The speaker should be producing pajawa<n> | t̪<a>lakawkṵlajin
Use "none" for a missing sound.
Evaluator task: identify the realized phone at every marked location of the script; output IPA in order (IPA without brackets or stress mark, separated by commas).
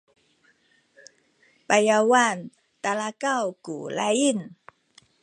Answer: n, a